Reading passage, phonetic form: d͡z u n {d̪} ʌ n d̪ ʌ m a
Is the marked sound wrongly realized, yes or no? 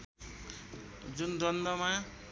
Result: no